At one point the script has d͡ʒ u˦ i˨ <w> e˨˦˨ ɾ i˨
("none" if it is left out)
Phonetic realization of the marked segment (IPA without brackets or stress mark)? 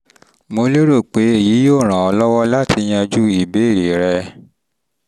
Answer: b